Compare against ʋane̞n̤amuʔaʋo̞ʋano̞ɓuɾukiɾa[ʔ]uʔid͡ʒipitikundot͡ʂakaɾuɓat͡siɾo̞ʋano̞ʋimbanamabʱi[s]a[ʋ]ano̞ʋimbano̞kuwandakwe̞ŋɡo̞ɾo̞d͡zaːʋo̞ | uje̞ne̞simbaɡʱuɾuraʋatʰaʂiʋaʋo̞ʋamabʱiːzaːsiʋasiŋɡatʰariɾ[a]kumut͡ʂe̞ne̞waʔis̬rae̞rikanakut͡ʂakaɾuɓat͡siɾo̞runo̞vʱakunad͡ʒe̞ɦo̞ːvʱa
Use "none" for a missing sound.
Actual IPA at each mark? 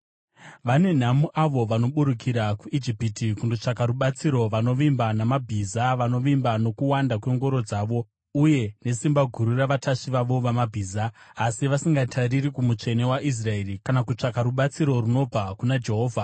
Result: k, z, ʋ, i

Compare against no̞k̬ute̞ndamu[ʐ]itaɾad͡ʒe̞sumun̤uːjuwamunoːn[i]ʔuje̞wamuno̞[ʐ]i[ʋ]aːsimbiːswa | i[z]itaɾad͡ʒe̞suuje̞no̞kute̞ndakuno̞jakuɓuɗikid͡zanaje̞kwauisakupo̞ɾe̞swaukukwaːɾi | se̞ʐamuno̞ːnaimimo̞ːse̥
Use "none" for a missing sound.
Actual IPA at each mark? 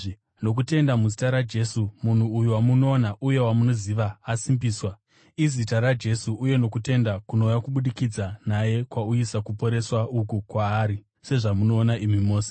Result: z, a, z, ʋ, z

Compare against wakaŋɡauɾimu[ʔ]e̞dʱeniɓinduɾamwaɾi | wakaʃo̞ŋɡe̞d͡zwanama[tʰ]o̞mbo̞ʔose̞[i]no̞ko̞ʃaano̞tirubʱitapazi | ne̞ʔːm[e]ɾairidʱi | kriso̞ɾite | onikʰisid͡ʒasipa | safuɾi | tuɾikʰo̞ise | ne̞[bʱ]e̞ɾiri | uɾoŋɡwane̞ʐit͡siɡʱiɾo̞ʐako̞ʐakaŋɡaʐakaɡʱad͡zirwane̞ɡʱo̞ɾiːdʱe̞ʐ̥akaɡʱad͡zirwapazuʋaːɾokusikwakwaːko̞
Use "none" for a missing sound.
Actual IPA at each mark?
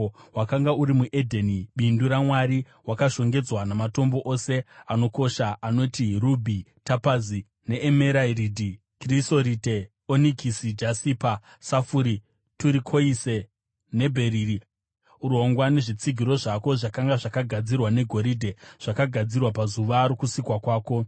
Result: ʔ, t, a, e, bʱ

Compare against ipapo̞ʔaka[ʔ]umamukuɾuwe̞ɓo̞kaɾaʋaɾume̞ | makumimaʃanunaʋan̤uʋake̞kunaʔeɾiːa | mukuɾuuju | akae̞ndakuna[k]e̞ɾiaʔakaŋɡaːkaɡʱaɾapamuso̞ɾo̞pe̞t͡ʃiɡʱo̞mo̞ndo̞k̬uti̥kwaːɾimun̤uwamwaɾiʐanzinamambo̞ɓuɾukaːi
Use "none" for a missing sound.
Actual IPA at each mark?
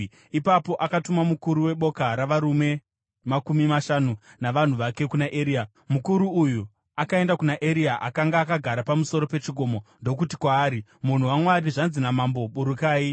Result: t, ʔ

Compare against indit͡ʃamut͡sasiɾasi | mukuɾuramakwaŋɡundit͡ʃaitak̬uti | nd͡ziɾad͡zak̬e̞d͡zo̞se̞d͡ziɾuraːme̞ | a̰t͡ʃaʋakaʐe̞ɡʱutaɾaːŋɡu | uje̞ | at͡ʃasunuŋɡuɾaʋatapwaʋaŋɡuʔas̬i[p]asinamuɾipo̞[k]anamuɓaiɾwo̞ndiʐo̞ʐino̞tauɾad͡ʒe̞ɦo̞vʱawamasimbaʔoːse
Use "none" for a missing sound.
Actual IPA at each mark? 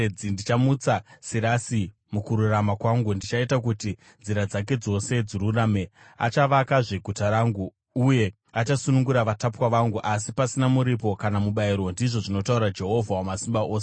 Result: p, k

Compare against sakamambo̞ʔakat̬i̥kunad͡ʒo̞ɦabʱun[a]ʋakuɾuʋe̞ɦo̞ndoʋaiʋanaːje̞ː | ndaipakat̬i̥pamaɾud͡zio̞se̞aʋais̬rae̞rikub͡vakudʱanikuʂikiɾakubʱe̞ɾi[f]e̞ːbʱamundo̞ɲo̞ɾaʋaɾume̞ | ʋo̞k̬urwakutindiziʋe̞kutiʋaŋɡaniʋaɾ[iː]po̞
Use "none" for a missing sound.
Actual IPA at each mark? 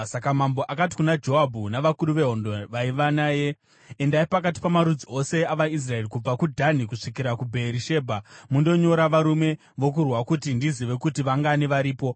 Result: a, ʃ, iː

